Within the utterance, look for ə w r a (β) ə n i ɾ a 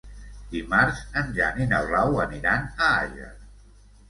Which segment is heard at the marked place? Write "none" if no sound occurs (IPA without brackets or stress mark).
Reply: w